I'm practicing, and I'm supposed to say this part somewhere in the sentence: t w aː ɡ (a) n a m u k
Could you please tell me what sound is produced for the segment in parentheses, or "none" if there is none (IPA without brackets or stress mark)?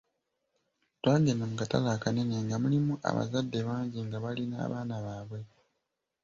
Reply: e